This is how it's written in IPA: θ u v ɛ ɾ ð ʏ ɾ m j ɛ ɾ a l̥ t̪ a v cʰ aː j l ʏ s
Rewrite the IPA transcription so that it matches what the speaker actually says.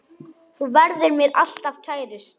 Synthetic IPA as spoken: θ u v ɛ ɾ ð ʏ ɾ m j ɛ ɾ a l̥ t̪ a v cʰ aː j ɾ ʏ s